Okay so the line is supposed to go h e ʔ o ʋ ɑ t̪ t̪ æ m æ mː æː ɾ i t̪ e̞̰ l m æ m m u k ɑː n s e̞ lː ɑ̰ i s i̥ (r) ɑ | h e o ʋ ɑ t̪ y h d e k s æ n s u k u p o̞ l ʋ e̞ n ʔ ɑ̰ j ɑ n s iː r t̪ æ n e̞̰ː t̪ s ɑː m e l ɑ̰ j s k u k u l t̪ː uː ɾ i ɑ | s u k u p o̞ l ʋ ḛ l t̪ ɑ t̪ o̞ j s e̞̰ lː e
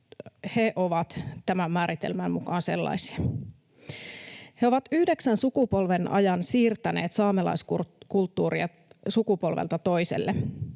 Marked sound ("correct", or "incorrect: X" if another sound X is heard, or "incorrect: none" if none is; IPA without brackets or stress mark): incorrect: none